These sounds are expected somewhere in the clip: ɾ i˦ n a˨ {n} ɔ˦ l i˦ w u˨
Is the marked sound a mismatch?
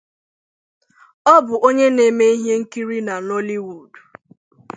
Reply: no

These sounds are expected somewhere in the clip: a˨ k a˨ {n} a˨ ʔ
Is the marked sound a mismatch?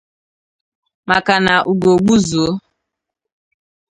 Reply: no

